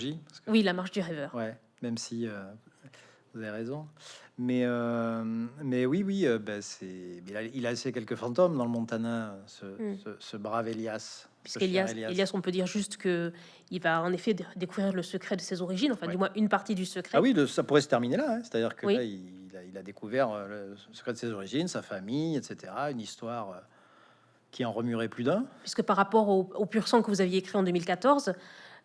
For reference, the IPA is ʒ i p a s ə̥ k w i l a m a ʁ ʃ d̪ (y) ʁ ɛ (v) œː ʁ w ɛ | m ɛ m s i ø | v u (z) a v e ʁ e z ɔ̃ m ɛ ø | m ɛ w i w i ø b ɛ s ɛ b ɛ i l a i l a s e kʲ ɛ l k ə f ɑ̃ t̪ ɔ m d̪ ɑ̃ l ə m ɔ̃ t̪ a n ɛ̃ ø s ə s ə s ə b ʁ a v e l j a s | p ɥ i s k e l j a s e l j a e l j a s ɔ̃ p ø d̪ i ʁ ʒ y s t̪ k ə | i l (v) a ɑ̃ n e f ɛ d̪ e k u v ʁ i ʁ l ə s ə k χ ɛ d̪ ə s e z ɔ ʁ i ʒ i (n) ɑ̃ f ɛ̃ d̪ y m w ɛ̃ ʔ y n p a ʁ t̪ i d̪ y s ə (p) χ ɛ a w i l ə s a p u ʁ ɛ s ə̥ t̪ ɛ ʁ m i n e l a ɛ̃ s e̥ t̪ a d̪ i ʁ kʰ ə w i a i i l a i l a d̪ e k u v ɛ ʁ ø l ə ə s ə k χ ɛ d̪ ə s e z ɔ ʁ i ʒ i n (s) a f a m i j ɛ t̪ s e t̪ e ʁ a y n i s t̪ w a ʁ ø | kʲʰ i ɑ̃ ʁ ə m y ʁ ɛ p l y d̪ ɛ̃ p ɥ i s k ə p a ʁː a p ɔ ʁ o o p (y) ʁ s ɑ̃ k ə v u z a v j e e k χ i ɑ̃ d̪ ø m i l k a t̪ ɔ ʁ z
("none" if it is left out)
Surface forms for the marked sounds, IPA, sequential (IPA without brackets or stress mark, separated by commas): y, v, z, v, n, k, s, y